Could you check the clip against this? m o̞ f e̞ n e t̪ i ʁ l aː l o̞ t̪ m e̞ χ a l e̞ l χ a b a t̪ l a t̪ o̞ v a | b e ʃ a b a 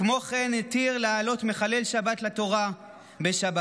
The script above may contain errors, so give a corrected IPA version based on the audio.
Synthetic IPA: m o̞ χ e̞ n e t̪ i ʁ l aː l o̞ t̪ m e̞ χ a l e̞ l ʃ a b a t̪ l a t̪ o̞ ʁ a | b e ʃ a b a